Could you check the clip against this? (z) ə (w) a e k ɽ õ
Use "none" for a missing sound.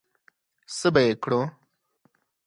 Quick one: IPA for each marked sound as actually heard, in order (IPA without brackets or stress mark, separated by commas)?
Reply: s, b